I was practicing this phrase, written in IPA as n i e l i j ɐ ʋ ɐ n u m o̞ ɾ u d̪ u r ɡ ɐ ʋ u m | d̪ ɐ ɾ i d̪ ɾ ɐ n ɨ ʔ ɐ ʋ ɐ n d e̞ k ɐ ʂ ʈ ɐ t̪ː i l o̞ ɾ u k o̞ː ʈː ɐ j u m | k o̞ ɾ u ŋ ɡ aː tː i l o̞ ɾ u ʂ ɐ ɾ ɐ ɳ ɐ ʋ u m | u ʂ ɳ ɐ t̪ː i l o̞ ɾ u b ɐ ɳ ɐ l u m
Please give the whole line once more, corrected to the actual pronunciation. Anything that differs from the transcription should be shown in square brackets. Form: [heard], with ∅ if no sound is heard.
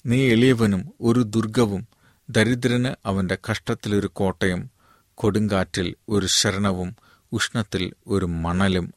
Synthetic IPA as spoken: n [iː] e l i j ɐ ʋ ɐ n u m o̞ ɾ u d̪ u r ɡ ɐ ʋ u m | d̪ ɐ ɾ i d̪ ɾ ɐ n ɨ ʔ ɐ ʋ ɐ n d e̞ k ɐ ʂ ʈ ɐ t̪ː i l o̞ ɾ u k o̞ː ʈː ɐ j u m | k o̞ [ɽ] u ŋ ɡ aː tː i l o̞ ɾ u [ɕ] ɐ ɾ ɐ ɳ ɐ ʋ u m | u ʂ ɳ ɐ t̪ː i l o̞ ɾ u [m] ɐ ɳ ɐ l u m